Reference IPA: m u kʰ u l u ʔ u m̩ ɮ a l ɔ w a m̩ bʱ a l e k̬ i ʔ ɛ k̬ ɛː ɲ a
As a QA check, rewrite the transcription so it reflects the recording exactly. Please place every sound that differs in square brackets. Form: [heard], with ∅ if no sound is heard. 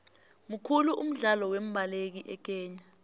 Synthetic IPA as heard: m u kʰ u l u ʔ u m̩ ɮ a l ɔ w [e] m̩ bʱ a l e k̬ i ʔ ɛ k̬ ɛː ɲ a

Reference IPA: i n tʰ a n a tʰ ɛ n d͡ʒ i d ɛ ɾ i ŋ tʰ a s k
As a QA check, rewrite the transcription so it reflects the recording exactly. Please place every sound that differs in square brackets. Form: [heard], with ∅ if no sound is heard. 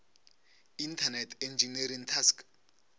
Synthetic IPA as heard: i n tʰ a n [ɛ] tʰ ɛ n d͡ʒ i [n] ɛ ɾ i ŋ tʰ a s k

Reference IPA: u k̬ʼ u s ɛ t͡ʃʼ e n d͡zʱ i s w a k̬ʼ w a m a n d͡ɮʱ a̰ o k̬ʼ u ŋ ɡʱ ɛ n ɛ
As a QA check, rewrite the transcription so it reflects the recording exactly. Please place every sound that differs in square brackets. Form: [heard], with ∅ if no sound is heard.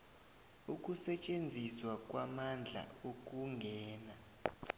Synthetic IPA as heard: u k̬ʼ u s ɛ t͡ʃʼ e n d͡zʱ i s w a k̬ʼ w a m a n d͡ɮʱ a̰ o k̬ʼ u ŋ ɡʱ [ɛː] n [a]

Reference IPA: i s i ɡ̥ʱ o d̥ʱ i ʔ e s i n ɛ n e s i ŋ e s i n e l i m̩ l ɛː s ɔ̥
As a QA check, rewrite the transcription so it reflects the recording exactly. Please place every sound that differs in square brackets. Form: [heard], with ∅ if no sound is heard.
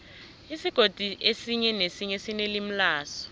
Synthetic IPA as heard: i s i ɡ̥ʱ o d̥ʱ i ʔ e s i [ɲ] ɛ n e s i [ɲ] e s i n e l i m̩ l [aː] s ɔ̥

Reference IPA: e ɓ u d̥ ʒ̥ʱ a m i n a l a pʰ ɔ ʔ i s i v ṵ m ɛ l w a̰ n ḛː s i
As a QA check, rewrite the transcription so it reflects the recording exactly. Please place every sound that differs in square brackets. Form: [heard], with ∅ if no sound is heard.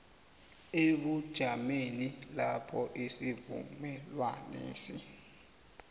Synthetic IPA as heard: e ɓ u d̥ ʒ̥ʱ a m [e] n [i] l a pʰ ɔ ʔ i s i v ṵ m ɛ l w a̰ n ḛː s i

